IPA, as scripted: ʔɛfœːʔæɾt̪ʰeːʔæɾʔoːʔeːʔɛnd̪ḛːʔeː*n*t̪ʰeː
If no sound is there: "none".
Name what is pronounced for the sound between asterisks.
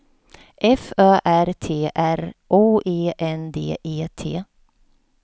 none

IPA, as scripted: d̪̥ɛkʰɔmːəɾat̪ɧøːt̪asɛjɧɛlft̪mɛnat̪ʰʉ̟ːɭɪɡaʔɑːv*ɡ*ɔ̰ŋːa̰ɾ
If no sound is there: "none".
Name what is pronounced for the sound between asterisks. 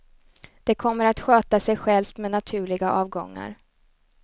ɡ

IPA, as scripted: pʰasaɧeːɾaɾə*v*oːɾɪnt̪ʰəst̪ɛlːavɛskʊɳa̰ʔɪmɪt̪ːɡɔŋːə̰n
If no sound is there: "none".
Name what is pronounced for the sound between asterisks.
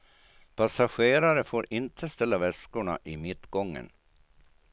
f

